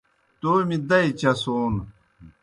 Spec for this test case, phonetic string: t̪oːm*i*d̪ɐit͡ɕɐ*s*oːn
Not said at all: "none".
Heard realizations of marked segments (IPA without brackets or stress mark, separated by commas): i, s